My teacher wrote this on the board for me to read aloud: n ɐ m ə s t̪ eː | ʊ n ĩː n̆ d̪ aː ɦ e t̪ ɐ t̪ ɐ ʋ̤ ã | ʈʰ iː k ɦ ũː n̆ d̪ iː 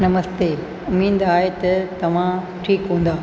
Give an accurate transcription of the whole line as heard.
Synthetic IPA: n ɐ m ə s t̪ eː | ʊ m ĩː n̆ d̪ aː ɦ e t̪ ɐ t̪ ɐ ʋ̤ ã | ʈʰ iː k ɦ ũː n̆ d̪ aː